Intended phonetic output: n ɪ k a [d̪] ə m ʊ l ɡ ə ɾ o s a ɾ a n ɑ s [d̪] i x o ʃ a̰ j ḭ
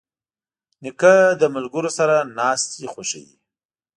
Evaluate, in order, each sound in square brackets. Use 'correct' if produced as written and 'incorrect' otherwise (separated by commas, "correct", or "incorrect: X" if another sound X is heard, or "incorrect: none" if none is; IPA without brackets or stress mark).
correct, incorrect: t̪